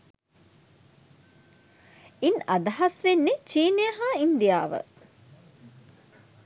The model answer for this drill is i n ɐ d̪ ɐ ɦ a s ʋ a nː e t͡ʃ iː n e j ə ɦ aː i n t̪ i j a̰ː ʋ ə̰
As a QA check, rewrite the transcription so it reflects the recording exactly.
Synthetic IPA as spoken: i n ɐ d̪ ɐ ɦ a s ʋ e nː e t͡ʃ iː n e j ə ɦ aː i n d̪ i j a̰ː ʋ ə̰